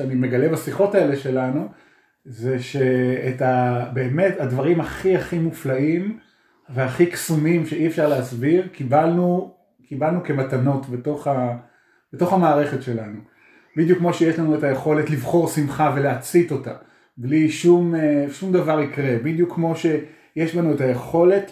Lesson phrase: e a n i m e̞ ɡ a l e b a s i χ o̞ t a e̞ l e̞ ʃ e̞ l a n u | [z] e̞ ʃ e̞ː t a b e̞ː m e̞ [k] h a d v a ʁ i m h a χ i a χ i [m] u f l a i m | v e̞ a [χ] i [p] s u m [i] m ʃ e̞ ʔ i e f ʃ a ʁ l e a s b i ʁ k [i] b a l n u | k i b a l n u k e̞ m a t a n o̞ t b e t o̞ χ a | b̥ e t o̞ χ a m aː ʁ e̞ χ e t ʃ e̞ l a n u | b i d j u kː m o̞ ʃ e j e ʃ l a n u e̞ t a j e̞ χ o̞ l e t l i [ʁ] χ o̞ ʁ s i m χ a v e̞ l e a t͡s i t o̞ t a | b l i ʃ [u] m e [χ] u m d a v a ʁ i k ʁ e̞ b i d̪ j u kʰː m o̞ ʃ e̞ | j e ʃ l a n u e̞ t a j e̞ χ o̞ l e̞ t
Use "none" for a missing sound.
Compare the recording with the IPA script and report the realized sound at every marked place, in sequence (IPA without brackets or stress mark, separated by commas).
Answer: z, t, m, χ, k, i, i, v, u, ʃ